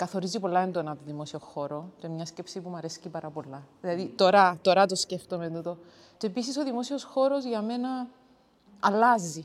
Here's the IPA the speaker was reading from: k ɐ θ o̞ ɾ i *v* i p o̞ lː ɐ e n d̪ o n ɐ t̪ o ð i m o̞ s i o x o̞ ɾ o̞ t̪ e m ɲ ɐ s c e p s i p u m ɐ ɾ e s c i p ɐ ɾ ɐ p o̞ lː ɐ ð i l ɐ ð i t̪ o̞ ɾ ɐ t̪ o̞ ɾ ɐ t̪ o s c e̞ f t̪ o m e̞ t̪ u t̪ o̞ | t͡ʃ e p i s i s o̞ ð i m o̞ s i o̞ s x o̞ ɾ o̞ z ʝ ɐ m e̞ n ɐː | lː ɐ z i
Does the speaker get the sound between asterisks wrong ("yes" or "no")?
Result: yes